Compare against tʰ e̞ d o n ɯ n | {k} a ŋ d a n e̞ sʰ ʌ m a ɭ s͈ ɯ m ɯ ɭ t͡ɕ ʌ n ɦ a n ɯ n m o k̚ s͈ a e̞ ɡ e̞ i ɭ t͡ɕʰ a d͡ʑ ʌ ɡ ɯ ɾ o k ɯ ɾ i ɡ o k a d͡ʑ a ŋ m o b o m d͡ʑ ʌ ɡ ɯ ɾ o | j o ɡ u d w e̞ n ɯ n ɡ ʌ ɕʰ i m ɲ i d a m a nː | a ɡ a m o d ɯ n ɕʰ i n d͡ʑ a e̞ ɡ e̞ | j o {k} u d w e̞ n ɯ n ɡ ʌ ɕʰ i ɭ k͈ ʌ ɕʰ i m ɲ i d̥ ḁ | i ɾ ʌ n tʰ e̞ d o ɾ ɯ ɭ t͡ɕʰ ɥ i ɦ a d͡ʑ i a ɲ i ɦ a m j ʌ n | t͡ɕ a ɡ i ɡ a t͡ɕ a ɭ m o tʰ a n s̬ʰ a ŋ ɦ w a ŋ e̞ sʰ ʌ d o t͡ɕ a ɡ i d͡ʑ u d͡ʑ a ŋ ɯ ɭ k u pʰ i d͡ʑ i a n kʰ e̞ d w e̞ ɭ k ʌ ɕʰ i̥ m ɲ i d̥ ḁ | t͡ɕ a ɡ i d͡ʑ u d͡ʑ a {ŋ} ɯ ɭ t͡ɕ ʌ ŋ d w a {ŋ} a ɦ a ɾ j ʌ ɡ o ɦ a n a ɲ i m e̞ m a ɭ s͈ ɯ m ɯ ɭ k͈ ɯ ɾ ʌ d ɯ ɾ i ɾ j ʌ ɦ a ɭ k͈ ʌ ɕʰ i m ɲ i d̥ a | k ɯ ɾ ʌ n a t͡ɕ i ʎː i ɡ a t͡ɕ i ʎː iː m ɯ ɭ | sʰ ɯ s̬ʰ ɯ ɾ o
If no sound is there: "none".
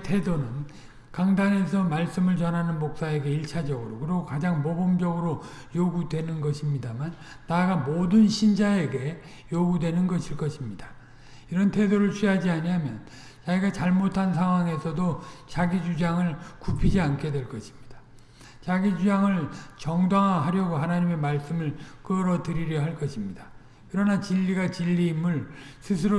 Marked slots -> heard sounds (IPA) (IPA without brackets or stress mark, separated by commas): k, ɡ, ŋ, ŋ